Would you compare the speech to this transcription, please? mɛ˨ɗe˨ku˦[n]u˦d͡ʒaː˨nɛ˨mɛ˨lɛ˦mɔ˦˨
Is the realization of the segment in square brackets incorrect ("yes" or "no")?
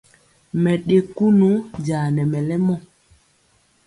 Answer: no